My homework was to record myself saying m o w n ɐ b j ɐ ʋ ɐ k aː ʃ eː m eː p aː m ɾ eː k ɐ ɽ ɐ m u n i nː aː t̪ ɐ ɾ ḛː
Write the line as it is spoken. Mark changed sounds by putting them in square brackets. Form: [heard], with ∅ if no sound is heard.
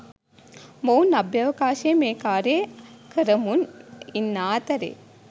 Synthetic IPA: m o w n ɐ b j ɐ ʋ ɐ k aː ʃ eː m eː [k] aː [∅] ɾ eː k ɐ [ɾ] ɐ m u n i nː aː t̪ ɐ ɾ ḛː